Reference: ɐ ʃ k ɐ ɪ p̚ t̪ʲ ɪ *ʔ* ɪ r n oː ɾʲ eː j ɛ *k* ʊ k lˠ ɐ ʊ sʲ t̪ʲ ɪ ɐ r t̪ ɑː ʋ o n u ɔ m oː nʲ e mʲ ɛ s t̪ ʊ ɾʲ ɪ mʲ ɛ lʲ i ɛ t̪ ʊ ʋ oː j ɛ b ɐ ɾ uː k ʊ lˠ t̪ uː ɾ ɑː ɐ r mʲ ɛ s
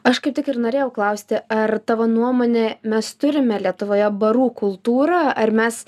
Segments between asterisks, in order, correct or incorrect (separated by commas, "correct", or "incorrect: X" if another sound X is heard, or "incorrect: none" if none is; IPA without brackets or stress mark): incorrect: k, incorrect: none